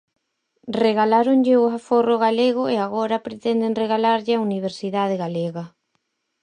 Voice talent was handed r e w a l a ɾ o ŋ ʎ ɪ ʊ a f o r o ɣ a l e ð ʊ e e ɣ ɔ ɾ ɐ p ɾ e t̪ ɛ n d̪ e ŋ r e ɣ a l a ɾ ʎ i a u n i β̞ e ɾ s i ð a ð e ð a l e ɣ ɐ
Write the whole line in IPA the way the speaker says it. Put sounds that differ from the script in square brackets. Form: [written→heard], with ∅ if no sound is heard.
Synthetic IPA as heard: r e [w→ɣ] a l a ɾ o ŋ ʎ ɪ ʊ a f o r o ɣ a l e [ð→ɣ] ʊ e [e→a] ɣ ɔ ɾ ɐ p ɾ e t̪ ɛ n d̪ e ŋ r e ɣ a l a ɾ ʎ [i→ɪ] a u n i β̞ e ɾ s i ð a ð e [ð→ɣ] a l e ɣ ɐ